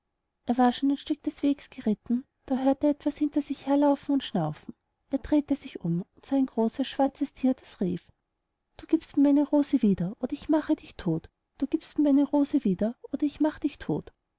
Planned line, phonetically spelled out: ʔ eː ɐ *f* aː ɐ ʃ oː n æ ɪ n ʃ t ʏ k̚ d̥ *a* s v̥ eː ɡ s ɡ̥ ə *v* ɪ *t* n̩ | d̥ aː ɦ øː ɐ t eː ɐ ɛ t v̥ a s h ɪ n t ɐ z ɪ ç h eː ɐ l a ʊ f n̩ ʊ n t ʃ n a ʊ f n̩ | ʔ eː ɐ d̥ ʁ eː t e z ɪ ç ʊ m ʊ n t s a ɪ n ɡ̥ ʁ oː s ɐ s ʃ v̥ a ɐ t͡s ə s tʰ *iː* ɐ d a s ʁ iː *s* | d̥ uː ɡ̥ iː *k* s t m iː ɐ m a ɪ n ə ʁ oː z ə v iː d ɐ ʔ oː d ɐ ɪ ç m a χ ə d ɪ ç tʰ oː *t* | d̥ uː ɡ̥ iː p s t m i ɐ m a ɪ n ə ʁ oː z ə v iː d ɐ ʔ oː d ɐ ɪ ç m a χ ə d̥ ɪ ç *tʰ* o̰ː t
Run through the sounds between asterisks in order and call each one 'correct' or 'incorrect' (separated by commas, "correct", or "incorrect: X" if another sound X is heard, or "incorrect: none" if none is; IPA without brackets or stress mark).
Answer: incorrect: v, incorrect: ɛ, incorrect: ʁ, correct, correct, incorrect: f, incorrect: p, correct, correct